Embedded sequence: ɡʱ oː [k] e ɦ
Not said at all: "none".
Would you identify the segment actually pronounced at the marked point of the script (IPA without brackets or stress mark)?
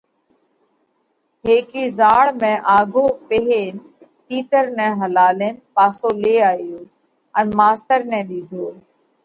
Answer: p